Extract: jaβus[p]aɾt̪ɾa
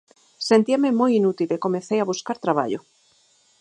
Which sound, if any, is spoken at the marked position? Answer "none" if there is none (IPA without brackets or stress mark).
k